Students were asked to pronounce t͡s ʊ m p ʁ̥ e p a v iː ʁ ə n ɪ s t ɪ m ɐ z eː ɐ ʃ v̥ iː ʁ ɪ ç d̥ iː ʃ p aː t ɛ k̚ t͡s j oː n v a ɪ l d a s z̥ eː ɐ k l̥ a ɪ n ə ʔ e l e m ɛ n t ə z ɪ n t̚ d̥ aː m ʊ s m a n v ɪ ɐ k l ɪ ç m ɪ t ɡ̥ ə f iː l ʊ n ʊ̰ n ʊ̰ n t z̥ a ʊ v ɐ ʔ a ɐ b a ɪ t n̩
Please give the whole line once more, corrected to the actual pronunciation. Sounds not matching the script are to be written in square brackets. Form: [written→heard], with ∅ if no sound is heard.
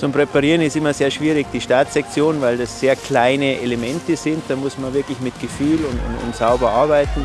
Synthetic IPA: t͡s ʊ m p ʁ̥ e p a [v→ʁ] iː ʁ ə n ɪ s t ɪ m ɐ z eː ɐ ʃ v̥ iː ʁ ɪ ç d̥ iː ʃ [p→t] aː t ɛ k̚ t͡s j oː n v a ɪ l d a s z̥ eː ɐ k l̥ a ɪ n ə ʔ e l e m ɛ n t ə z ɪ n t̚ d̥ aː m ʊ s m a n v ɪ ɐ k l ɪ ç m ɪ t ɡ̥ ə f [iː→yː] l ʊ n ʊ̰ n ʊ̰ n t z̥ a ʊ [v→b] ɐ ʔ a ɐ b a ɪ t n̩